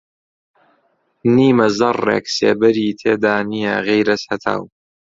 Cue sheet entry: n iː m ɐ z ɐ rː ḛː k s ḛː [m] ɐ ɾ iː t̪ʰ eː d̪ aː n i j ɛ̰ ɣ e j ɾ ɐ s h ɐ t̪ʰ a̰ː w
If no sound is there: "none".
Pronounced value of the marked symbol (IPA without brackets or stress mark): b